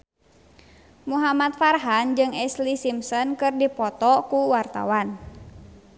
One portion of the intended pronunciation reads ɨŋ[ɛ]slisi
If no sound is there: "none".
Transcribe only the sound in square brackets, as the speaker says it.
ɛ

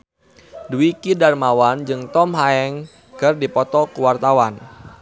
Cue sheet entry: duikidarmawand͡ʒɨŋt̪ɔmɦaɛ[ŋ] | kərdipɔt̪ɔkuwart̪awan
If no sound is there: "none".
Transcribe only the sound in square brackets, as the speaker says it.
ŋ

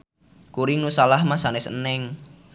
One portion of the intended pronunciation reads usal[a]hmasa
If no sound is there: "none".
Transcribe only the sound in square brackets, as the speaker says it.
a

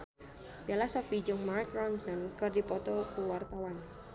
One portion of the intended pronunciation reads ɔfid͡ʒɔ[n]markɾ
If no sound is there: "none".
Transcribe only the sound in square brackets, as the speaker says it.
ŋ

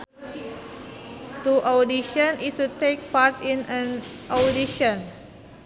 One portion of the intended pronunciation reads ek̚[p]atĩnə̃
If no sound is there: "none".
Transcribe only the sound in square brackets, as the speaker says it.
p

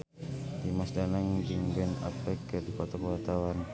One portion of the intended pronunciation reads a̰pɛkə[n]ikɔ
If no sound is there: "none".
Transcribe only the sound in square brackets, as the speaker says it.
d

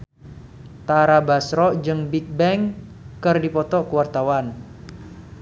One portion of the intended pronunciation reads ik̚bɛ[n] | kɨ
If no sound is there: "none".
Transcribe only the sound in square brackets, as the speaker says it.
ŋ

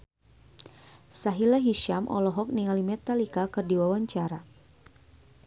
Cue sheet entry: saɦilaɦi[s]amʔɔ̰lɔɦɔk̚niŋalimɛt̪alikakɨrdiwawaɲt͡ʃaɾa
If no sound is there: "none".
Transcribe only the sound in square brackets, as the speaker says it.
ʃ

